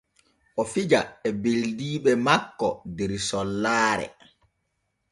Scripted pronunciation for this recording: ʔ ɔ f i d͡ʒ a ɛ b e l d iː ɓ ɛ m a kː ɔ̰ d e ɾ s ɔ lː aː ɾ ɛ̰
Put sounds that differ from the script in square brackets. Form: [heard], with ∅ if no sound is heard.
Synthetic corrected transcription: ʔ ɔ f i d͡ʒ a ɛ b e l d iː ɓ ɛ m a kː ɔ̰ d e ɾ s ɔ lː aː ɾ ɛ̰